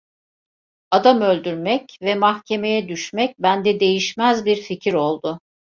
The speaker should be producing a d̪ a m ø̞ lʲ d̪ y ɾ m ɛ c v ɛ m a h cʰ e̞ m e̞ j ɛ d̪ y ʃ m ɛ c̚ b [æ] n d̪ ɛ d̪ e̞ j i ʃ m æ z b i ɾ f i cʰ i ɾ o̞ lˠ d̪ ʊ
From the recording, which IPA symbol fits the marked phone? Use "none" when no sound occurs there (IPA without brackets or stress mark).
æ